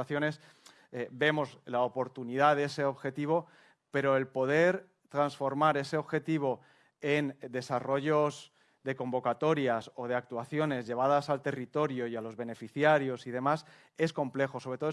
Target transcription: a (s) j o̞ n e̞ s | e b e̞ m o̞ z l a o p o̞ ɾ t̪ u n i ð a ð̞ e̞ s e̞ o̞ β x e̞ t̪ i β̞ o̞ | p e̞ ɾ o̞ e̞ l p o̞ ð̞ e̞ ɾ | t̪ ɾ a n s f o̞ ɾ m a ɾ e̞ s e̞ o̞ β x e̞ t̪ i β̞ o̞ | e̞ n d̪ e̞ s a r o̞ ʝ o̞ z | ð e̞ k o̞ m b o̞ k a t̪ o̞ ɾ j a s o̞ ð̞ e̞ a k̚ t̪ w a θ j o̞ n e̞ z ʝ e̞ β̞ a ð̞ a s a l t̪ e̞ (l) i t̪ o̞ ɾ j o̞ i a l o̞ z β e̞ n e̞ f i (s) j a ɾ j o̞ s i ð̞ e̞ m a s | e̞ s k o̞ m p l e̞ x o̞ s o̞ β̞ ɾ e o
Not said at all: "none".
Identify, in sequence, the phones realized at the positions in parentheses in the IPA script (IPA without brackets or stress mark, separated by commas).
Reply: θ, r, θ